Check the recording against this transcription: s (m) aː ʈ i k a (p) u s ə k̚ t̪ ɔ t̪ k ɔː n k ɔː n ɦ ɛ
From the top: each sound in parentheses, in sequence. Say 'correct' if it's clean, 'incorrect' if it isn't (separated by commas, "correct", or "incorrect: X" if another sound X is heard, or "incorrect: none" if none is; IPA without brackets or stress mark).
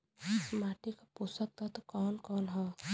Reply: correct, correct